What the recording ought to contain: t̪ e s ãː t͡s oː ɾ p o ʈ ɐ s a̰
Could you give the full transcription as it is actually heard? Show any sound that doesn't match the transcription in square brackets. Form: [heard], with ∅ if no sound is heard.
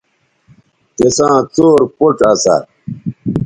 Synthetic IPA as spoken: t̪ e s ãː t͡s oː ɾ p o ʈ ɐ s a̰